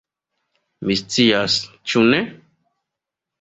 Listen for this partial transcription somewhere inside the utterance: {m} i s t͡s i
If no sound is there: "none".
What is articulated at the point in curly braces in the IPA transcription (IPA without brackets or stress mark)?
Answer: m